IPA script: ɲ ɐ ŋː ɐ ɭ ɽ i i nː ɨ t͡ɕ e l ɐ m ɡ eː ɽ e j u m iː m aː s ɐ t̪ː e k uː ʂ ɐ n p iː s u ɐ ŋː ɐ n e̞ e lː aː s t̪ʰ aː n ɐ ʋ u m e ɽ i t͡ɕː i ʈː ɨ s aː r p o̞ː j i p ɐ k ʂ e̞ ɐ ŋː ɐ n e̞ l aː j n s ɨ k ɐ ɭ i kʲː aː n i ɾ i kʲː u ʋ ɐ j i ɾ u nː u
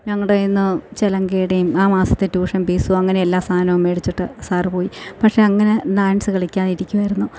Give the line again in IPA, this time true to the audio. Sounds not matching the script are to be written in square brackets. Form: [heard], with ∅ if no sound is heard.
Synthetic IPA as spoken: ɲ ɐ ŋː ɐ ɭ ɽ [e] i nː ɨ t͡ɕ e l ɐ [ŋ] ɡ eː ɽ e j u m [aː] m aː s ɐ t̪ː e [t] uː ʂ ɐ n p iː s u ɐ ŋː ɐ n e̞ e lː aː s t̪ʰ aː n ɐ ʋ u m e ɽ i t͡ɕː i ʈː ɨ s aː r p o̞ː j i p ɐ k ʂ e̞ ɐ ŋː ɐ n e̞ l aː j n s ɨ k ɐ ɭ i kʲː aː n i ɾ i kʲː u ʋ ɐ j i ɾ u nː u